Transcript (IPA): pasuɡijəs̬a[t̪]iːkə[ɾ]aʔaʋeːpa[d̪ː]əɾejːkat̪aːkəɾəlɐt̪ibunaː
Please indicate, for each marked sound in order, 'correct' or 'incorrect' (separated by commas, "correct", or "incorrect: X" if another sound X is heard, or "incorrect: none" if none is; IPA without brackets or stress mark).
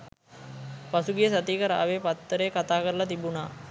correct, correct, incorrect: t̪ː